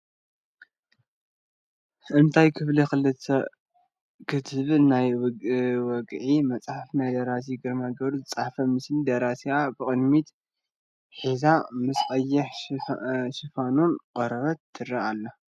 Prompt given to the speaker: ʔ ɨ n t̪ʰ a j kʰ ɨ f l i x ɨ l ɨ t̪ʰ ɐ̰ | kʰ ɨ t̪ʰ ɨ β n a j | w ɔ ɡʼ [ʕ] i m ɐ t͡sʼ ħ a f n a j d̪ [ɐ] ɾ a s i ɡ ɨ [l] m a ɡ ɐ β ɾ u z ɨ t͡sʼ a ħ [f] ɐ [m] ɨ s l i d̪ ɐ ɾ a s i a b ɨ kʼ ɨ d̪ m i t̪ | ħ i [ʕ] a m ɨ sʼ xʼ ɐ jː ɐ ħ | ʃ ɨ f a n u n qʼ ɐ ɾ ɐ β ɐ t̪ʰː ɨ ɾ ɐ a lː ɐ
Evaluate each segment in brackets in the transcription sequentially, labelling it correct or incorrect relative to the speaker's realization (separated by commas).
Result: correct, correct, incorrect, correct, correct, incorrect